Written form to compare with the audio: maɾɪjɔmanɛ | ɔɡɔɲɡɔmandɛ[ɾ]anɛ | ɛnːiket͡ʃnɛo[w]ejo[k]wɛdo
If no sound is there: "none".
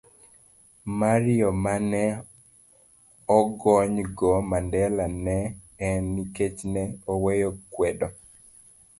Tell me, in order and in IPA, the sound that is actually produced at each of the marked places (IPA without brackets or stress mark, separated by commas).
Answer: l, w, k